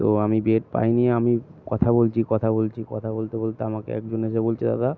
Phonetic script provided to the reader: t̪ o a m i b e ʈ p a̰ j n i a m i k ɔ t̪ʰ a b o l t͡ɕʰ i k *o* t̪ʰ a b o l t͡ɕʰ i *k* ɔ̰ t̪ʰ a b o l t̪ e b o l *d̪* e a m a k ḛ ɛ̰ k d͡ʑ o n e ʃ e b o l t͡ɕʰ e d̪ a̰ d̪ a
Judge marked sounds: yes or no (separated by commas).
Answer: no, yes, no